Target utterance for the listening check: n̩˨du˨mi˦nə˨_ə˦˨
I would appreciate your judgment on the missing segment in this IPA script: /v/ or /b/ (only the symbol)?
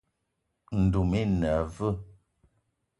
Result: v